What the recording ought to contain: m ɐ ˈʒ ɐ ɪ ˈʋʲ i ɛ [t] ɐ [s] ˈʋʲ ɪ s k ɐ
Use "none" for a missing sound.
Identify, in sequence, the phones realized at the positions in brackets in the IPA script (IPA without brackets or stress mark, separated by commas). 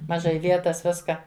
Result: t, s